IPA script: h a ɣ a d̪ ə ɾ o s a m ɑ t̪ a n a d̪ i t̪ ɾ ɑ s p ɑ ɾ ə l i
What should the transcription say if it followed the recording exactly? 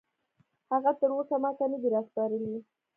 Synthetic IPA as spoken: h a ɣ a t̪ ə ɾ o s a m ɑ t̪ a n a d̪ i ɾ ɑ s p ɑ ɾ ə l i